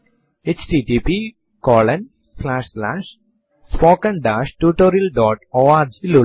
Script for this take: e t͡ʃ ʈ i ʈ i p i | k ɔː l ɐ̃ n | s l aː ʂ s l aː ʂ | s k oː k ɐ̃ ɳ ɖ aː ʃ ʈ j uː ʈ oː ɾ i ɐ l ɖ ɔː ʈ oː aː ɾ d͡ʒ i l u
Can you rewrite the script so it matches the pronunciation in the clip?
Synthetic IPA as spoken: e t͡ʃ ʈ i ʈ i p i | k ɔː l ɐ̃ n | s l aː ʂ s l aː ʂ | s p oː k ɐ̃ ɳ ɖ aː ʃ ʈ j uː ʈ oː ɾ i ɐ l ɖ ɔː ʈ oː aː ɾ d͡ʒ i l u